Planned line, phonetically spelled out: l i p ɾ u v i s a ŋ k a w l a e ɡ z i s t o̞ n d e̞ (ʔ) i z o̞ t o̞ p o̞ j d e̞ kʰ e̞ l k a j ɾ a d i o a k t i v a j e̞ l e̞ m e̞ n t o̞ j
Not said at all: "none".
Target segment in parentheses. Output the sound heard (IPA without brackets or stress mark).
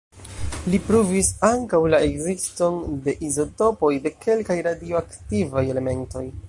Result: ʔ